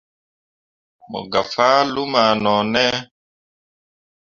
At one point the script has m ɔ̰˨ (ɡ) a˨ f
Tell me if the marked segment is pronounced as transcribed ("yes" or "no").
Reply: yes